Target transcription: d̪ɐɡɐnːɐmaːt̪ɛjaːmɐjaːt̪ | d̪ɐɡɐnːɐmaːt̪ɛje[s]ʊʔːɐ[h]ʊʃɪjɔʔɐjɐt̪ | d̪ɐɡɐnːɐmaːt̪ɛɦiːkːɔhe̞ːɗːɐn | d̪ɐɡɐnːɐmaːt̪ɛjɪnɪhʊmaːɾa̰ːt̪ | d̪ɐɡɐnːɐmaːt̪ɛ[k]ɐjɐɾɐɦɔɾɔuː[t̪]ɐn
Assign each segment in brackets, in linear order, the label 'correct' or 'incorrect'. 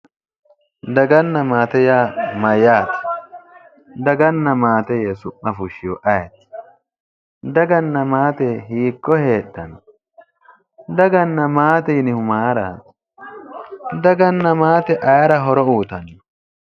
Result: correct, incorrect: f, incorrect: ʔ, correct

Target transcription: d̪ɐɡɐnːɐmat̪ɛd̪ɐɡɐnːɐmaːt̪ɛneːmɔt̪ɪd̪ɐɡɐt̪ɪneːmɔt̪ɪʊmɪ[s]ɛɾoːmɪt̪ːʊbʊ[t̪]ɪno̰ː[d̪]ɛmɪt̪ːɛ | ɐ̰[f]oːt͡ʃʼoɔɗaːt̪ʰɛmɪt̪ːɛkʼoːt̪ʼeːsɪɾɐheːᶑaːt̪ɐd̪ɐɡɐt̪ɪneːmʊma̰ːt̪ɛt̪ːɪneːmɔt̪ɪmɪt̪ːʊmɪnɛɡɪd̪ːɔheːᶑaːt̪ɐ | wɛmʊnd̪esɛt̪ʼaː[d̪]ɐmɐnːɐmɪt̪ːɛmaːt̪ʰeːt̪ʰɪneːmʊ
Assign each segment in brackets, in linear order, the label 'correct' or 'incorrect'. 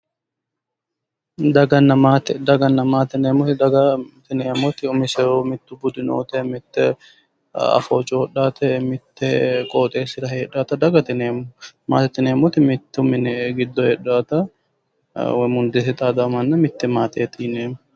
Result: correct, incorrect: d̪, incorrect: t̪, correct, correct

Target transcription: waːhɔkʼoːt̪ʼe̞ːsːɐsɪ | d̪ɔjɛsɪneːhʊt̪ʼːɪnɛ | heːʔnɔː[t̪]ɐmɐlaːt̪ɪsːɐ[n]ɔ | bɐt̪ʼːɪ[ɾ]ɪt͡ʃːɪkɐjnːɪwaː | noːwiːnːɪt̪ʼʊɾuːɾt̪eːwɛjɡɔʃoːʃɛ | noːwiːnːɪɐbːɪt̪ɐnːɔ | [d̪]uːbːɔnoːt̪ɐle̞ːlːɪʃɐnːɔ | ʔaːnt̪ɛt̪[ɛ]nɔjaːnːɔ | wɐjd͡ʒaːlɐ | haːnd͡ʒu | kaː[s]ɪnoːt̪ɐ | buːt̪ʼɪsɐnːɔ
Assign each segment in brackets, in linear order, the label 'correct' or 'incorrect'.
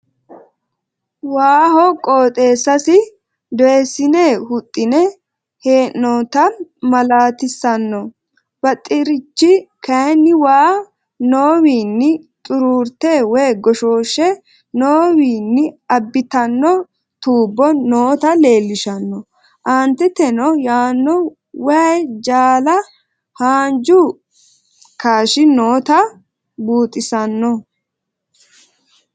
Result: correct, incorrect: nː, correct, incorrect: t̪, correct, incorrect: ʃ

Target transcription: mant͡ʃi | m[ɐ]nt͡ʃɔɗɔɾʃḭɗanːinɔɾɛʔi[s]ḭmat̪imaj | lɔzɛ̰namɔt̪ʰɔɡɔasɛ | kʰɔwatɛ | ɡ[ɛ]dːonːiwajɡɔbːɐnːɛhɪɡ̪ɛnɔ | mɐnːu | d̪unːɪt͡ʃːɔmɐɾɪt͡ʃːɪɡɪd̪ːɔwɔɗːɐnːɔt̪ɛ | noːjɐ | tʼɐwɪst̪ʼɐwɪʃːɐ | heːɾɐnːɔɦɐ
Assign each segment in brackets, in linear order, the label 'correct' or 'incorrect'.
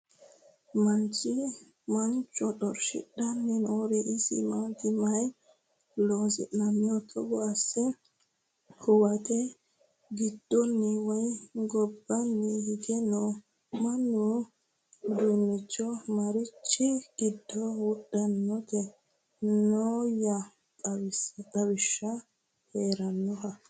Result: incorrect: a, correct, incorrect: i

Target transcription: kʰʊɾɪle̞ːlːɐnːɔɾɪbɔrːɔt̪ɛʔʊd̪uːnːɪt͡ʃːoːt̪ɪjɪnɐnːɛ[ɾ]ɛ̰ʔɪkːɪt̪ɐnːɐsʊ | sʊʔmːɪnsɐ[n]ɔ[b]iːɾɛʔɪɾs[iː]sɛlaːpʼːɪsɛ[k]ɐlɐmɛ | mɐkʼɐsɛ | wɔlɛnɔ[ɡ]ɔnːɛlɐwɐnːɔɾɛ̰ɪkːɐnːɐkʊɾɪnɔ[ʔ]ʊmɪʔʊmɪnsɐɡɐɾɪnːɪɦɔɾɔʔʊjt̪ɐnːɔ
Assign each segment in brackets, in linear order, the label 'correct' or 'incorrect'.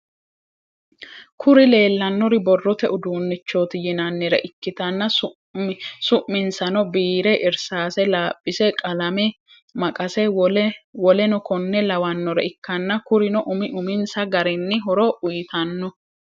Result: correct, correct, correct, incorrect: aː, incorrect: kʼ, incorrect: k, correct

